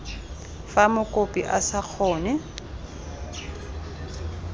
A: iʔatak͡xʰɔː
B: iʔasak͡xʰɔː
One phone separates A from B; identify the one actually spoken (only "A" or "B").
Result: B